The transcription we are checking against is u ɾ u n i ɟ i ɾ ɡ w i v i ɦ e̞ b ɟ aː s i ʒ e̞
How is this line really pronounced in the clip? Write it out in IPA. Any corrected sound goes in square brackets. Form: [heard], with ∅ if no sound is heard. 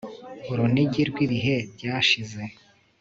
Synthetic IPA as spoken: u ɾ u n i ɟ i ɾ ɡ w i [β] i ɦ e̞ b ɟ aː [ʃ] i [z] e̞

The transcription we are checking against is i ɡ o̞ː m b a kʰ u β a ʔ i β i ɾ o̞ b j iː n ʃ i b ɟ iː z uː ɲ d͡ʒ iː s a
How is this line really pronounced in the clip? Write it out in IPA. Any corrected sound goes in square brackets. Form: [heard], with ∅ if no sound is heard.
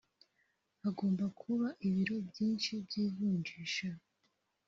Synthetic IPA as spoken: [a] ɡ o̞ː m b a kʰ u β a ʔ i β i ɾ o̞ b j iː n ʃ i b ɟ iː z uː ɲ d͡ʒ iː [ʃ] a

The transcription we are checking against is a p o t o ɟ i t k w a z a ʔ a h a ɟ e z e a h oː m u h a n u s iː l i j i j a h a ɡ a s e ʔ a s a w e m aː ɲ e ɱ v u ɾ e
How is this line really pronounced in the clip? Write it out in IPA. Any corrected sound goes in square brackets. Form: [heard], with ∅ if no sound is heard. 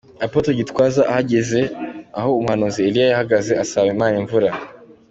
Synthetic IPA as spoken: a p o t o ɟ i t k w a z a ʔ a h a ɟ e z e a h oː m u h a n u [z] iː l i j [a] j a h a ɡ a [z] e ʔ a s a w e m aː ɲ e ɱ v u ɾ [a]

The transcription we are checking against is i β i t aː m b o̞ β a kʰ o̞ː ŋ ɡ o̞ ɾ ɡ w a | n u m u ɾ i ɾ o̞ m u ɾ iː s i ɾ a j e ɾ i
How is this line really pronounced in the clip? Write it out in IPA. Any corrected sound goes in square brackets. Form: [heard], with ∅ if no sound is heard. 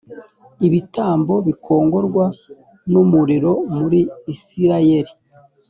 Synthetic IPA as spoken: i β i t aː m b o̞ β [i] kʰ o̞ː ŋ ɡ o̞ ɾ ɡ w a | n u m u ɾ i ɾ o̞ m u ɾ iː s i ɾ a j e ɾ i

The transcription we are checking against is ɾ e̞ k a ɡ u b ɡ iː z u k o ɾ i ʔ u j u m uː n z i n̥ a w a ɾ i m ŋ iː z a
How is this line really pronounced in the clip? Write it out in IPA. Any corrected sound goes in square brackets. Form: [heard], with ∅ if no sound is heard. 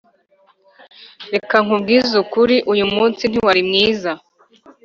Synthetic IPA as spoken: ɾ e̞ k a [ŋ] u b ɡ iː z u k [u] ɾ i ʔ u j u m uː n [s] i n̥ [i] w a ɾ i m ŋ iː z a

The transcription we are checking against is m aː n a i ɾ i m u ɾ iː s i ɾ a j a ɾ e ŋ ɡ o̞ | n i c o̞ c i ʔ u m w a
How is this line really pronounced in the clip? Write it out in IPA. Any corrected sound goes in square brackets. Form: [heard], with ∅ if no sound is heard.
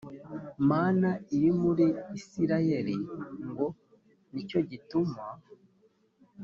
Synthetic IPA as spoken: m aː n a i ɾ i m u ɾ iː s i ɾ a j [e] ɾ [i] ŋ ɡ o̞ | n i c o̞ [ɟ] i [t] u m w a

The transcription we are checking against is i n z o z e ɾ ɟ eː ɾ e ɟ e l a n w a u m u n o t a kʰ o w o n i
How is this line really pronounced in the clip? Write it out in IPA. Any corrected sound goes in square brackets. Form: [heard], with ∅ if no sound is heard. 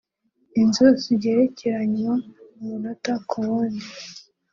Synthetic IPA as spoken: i n z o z [i] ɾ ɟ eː ɾ e [c] e [ɾ] a [ɲ] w a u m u n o t a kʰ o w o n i

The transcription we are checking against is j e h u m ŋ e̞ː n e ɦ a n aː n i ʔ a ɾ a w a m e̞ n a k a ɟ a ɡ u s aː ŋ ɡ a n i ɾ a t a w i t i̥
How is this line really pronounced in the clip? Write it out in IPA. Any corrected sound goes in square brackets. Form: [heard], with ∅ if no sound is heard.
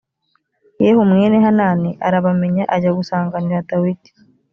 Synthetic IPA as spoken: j e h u m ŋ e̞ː n e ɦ a n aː n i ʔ a ɾ a [β] a m e̞ [ɲ] a [ʔ] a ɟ a ɡ u s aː ŋ ɡ a n i ɾ a t a w i t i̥

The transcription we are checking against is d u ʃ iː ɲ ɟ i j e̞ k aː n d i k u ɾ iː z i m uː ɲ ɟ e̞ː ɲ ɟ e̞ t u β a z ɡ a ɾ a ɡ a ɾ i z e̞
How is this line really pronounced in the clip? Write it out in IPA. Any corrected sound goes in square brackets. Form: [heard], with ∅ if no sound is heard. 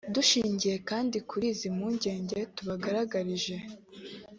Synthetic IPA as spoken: d u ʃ iː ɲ ɟ i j e̞ k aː n d i k u ɾ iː z i m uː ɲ ɟ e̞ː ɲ ɟ e̞ t u β a [∅] ɡ a ɾ a ɡ a ɾ i [ʒ] e̞

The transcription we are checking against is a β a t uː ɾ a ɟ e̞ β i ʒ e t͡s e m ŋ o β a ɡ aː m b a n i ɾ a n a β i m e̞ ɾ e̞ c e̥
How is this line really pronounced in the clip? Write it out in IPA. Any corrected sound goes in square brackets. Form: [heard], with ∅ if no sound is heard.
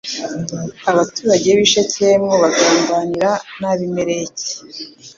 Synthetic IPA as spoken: a β a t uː ɾ a ɟ e̞ β i [ʃ] e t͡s e m ŋ o β a ɡ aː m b a n i ɾ a n a β i m e̞ ɾ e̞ c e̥

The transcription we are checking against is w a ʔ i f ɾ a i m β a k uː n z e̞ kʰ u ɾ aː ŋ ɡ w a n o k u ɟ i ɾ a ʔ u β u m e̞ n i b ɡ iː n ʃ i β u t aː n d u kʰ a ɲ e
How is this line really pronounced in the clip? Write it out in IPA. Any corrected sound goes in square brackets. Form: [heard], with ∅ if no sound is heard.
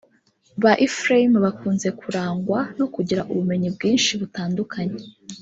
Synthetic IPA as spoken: [β] a ʔ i f ɾ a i m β a k uː n z e̞ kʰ u ɾ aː ŋ ɡ w a n o k u ɟ i ɾ a ʔ u β u m e̞ [ɲ] i b ɡ iː n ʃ i β u t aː n d u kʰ a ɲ e

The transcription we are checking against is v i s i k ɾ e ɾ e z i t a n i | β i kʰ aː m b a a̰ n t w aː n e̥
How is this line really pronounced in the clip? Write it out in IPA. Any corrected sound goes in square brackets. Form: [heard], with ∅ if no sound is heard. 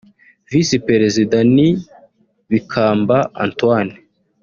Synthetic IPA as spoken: v i s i [p] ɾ e ɾ e z i [d] a n i | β i kʰ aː m b a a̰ n t w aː n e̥

